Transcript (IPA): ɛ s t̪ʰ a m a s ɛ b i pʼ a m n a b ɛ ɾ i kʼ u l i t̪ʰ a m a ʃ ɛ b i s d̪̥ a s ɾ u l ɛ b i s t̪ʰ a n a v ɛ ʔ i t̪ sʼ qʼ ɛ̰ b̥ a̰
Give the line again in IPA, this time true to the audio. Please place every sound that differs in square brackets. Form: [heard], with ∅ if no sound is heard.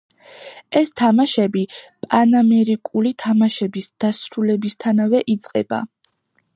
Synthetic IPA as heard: ɛ s t̪ʰ a m a [ʃ] ɛ b i pʼ a [∅] n a [m] ɛ ɾ i kʼ u l i t̪ʰ a m a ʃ ɛ b i s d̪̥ a s ɾ u l ɛ b i s t̪ʰ a n a v ɛ ʔ i t̪ sʼ qʼ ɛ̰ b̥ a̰